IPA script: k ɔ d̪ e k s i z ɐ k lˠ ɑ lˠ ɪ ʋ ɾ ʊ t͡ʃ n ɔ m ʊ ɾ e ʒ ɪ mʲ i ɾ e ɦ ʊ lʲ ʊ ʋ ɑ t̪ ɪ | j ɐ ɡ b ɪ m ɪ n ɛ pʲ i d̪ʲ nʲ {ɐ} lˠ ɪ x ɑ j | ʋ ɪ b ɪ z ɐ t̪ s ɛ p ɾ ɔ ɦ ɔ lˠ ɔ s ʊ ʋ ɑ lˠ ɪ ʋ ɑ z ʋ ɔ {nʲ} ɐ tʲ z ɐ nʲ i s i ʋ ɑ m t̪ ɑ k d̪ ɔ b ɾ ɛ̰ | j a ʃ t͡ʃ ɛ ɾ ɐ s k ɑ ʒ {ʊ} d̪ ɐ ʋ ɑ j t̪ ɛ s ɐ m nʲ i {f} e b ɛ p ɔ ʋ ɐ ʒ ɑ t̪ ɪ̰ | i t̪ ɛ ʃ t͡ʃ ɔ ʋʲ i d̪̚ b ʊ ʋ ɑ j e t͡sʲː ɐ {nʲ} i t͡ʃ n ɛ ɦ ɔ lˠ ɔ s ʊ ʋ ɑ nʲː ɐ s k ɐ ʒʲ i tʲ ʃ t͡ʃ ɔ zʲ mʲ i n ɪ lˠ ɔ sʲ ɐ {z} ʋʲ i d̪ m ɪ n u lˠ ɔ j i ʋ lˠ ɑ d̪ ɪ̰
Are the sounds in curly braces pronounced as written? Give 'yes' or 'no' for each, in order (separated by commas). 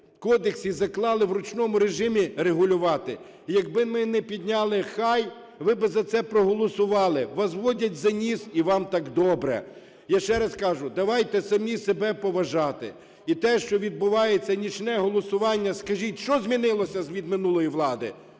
no, no, yes, no, yes, yes